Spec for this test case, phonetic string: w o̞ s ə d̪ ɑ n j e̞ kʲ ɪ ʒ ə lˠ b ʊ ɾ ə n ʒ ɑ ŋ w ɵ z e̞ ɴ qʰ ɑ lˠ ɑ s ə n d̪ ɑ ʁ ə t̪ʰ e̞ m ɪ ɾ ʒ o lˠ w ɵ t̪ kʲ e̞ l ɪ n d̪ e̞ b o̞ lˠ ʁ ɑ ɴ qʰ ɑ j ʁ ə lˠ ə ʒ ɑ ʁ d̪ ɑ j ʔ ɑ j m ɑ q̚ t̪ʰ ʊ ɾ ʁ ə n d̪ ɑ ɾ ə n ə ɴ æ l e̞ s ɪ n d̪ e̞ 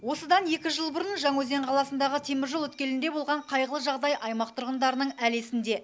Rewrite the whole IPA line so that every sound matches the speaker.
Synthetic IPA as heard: w o̞ s ə d̪ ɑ n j e̞ kʲ ɪ ʒ ə lˠ b ʊ ɾ ə n ʒ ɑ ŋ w ɵ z e̞ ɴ qʰ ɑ lˠ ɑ s ə n d̪ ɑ ʁ ə t̪ʰ e̞ m ɪ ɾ ʒ o lˠ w ɵ t̪ kʲ e̞ l ɪ n d̪ e̞ b o̞ lˠ ʁ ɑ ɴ qʰ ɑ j ʁ ə lˠ ə ʒ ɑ ʁ d̪ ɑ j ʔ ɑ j m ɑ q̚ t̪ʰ ʊ ɾ ʁ ə n d̪ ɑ ɾ ə n ə ɴ æ l e̞ s ɪ n d̪ e̞